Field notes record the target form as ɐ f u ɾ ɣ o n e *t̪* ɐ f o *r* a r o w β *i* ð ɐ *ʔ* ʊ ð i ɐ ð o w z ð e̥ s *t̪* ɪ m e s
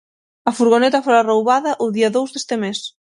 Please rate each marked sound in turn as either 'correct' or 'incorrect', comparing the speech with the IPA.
correct, incorrect: ɾ, incorrect: a, correct, correct

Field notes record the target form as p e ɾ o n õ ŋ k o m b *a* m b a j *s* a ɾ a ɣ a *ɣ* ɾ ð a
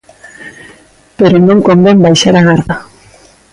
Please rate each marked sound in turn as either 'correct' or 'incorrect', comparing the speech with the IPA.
incorrect: e, incorrect: ʃ, incorrect: none

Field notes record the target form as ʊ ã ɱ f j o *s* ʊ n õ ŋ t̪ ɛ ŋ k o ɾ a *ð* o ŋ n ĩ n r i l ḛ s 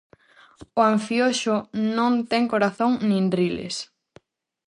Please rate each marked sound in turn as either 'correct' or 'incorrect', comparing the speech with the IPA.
incorrect: ʃ, incorrect: θ

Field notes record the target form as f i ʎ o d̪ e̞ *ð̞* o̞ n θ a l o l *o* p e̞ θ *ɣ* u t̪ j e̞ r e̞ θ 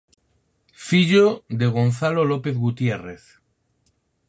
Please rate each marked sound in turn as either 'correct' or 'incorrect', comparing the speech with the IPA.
incorrect: ɣ̞, correct, correct

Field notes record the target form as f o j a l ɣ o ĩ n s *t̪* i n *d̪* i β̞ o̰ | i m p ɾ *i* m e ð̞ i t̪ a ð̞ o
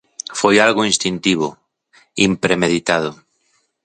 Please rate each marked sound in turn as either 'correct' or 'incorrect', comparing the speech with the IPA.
correct, incorrect: t̪, incorrect: e

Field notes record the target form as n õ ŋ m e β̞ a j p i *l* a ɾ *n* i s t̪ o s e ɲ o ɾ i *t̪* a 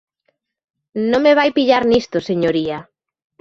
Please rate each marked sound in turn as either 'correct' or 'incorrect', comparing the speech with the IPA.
incorrect: ʎ, correct, incorrect: none

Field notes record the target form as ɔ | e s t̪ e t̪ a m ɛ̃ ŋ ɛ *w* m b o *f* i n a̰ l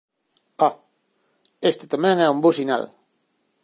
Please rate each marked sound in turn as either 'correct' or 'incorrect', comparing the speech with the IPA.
incorrect: u, incorrect: s

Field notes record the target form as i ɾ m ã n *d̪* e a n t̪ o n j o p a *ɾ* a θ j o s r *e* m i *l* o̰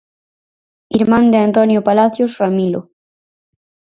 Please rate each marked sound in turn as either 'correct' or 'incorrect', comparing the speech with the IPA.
correct, incorrect: l, incorrect: a, correct

